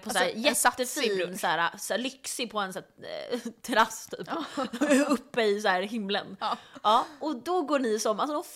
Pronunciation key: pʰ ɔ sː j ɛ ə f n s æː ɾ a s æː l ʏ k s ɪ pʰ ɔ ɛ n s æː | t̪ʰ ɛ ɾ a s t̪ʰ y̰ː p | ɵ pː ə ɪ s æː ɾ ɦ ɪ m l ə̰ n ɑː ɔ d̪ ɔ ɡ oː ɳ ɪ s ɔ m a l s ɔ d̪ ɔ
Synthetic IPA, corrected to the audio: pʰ ɔ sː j ɛ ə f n s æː ɾ a s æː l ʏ k s ɪ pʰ ɔ ɛ n s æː | t̪ʰ ɛ ɾ a s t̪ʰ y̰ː p | ɵ pː ə ɪ s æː ɾ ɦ ɪ m l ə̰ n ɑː ɔ d̪ ɔ ɡ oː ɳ ɪ s ɔ m a l s ɔ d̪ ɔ